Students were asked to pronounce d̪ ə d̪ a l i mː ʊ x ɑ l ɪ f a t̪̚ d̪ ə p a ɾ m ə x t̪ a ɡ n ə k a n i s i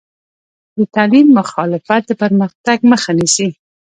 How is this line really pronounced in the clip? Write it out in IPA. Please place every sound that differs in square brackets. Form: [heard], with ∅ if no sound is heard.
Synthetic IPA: d̪ ə [t̪] a l i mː ʊ x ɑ l ɪ f a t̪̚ d̪ ə p [ə] ɾ m ə x t̪ a ɡ [m] ə [x] a n i s i